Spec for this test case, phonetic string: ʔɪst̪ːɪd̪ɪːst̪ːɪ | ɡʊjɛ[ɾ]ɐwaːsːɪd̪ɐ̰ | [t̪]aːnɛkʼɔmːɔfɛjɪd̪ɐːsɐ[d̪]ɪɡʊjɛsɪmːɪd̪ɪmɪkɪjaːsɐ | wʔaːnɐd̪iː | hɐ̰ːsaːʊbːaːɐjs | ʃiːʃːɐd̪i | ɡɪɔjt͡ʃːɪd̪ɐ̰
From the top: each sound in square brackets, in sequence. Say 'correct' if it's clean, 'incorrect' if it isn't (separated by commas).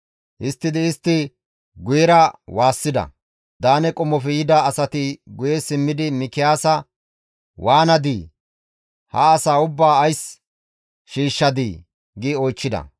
correct, incorrect, incorrect